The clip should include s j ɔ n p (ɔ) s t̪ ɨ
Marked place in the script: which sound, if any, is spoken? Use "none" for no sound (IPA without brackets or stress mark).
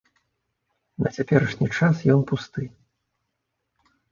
u